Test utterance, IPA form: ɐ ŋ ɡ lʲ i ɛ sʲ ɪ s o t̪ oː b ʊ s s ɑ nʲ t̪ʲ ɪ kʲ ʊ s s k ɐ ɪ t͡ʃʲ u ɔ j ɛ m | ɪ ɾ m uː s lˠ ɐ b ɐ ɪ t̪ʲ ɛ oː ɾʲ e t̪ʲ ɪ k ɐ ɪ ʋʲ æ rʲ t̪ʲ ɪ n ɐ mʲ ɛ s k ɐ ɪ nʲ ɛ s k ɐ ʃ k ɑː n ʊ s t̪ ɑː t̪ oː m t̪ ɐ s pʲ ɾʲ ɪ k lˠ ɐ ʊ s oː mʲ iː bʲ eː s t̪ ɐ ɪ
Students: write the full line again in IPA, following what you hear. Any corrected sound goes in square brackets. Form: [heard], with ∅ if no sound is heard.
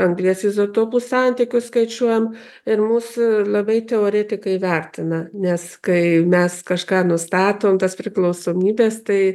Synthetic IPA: ɐ ŋ ɡ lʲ i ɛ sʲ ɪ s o t̪ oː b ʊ s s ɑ nʲ t̪ʲ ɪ kʲ ʊ s s k ɐ ɪ t͡ʃʲ u ɔ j ɛ m | ɪ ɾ m uː s lˠ ɐ b ɐ ɪ t̪ʲ ɛ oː ɾʲ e t̪ʲ ɪ k ɐ ɪ ʋʲ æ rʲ t̪ʲ ɪ n ɐ [nʲ] ɛ s k ɐ ɪ [mʲ] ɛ s k ɐ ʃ k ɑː n ʊ s t̪ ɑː t̪ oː m t̪ ɐ s pʲ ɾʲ ɪ k lˠ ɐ ʊ s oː mʲ iː bʲ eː s t̪ ɐ ɪ

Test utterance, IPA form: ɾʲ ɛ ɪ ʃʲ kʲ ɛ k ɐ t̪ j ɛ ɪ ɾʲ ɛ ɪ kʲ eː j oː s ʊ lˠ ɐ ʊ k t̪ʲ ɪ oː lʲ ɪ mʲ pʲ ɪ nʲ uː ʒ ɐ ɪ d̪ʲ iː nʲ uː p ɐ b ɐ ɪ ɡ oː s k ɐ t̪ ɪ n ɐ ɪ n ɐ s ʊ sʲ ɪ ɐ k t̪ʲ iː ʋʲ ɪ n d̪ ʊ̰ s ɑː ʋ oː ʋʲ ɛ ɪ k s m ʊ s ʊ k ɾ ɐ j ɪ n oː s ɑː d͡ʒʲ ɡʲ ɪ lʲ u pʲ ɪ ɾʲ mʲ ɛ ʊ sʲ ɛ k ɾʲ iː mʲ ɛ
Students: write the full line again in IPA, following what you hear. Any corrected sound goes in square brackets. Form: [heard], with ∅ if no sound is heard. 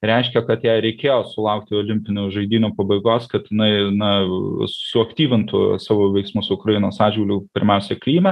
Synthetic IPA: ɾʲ ɛ ɪ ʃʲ kʲ ɛ k ɐ t̪ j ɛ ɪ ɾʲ ɛ ɪ kʲ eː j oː s ʊ lˠ ɐ ʊ k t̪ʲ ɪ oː lʲ ɪ mʲ pʲ ɪ nʲ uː ʒ ɐ ɪ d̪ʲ iː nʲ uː p ɐ b ɐ ɪ ɡ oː s k ɐ t̪ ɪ n ɐ ɪ n ɐ s ʊ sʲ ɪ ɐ k t̪ʲ iː ʋʲ ɪ n [t̪] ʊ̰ s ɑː ʋ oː ʋʲ ɛ ɪ k s m ʊ s ʊ k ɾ ɐ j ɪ n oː s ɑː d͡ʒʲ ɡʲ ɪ lʲ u pʲ ɪ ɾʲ mʲ ɛ ʊ sʲ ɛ k [lʲ] iː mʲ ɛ

